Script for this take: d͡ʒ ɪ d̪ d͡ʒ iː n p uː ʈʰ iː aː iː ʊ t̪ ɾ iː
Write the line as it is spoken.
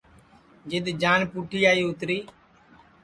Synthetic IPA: d͡ʒ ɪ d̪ d͡ʒ aː n p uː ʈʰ iː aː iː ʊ t̪ ɾ iː